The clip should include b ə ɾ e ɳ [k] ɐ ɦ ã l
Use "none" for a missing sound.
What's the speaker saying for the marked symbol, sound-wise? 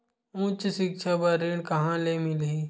k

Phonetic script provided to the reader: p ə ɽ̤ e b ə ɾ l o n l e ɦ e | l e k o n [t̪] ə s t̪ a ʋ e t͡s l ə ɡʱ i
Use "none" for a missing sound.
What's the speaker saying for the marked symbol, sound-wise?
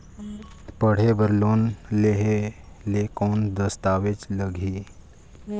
d̪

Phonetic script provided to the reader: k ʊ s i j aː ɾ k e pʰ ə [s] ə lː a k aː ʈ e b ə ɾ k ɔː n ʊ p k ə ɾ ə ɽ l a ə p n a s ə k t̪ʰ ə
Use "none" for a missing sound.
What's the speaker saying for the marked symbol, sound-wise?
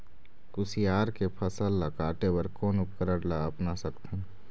s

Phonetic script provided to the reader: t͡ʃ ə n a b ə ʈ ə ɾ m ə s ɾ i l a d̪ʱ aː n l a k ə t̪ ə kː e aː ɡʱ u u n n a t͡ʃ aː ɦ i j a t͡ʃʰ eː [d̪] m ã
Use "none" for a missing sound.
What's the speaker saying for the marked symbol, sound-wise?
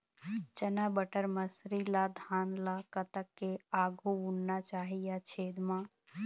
d̪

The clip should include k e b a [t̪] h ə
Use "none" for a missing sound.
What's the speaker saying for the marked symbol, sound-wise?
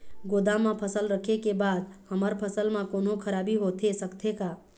d̪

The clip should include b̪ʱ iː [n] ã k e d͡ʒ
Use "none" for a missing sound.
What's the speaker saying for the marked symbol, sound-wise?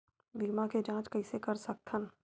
m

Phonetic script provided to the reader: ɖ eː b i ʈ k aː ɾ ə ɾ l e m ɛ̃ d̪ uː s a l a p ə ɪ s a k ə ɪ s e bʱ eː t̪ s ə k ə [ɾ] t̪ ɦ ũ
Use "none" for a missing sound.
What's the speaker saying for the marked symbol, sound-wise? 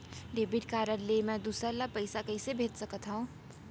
none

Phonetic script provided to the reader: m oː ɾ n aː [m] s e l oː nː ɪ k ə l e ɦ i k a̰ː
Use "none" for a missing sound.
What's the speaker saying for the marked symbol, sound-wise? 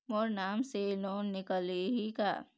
m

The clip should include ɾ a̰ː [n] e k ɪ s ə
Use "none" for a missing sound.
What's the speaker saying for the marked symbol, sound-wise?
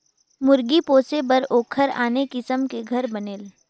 n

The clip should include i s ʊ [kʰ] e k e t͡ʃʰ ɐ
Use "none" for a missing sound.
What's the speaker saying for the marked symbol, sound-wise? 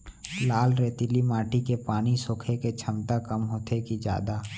kʰ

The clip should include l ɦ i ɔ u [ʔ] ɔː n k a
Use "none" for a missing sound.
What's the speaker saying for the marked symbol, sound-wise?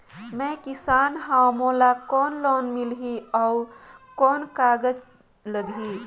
k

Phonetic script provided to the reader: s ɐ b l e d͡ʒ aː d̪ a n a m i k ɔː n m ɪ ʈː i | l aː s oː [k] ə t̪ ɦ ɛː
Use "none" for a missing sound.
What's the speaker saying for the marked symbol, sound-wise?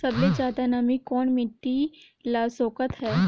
k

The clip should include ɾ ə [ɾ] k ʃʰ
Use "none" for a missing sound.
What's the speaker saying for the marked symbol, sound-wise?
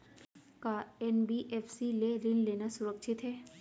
none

